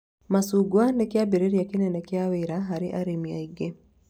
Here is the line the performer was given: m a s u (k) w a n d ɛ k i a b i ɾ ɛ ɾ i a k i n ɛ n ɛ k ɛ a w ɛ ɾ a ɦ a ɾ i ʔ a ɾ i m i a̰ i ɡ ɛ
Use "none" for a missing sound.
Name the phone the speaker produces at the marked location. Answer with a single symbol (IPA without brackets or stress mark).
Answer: ɡ